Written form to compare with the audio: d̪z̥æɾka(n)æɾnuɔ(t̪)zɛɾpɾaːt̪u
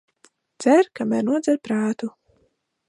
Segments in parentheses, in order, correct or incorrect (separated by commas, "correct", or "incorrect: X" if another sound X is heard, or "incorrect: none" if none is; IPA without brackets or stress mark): incorrect: m, incorrect: d̪